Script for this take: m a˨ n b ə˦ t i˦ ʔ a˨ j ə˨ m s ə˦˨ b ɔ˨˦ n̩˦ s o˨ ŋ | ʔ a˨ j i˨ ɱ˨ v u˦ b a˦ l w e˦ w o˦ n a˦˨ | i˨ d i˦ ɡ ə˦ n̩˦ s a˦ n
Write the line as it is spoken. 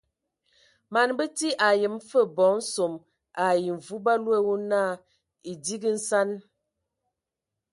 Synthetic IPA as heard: m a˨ n b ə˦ t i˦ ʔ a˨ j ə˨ m f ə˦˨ b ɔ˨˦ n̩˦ s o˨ m | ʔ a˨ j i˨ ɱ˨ v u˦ b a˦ l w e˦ w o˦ n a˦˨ | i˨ d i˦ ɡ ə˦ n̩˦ s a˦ n